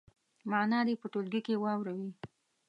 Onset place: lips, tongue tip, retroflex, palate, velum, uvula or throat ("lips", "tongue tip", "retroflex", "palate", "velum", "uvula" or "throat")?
lips